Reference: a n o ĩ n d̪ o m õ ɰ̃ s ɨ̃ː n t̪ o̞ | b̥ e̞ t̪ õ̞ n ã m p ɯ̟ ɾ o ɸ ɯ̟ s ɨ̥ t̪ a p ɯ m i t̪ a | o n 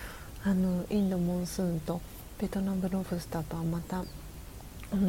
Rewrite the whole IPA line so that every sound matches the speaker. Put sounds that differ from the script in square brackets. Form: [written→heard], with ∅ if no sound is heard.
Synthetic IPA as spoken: a n o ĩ n d̪ o m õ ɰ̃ s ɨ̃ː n t̪ o̞ | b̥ e̞ t̪ [õ̞→o̞] n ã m [p→b] ɯ̟ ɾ o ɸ ɯ̟ s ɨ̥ t̪ a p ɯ m [i→a] t̪ a | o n